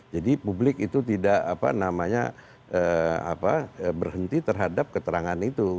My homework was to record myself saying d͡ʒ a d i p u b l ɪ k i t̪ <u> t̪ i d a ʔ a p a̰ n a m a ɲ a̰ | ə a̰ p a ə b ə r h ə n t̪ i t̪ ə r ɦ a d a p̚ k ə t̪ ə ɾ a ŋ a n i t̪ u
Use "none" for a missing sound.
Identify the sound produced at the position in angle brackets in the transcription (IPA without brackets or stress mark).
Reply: u